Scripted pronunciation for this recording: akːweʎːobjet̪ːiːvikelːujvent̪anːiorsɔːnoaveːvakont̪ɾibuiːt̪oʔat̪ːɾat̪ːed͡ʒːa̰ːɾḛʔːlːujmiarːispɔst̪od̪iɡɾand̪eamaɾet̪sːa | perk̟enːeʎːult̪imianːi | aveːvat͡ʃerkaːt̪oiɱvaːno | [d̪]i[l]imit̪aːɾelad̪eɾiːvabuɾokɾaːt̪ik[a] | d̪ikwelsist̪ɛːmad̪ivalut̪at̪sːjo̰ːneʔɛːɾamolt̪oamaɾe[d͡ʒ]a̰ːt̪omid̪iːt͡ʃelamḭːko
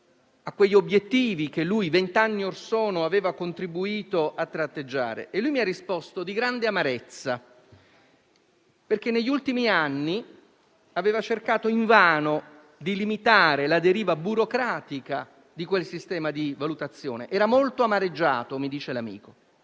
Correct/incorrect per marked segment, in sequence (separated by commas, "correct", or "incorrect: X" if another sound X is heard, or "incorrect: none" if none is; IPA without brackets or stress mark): correct, correct, correct, incorrect: d͡ʒː